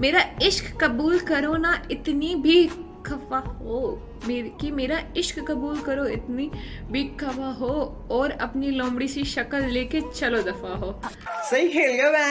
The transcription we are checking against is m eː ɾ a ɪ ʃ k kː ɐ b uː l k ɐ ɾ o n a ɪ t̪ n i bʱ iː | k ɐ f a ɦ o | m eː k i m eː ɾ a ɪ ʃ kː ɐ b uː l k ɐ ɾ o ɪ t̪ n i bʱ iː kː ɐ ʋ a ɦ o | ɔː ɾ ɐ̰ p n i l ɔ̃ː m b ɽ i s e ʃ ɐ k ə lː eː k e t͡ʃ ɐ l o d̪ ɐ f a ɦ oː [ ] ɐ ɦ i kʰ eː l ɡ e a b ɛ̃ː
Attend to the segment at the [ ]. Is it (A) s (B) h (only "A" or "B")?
A